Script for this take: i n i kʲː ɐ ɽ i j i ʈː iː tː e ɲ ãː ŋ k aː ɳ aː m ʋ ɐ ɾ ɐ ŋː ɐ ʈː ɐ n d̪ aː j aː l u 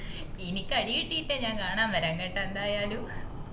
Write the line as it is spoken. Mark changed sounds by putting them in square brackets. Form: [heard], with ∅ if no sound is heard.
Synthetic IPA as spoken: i n i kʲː ɐ ɽ i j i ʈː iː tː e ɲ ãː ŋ k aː ɳ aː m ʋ ɐ ɾ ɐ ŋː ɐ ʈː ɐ n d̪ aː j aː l u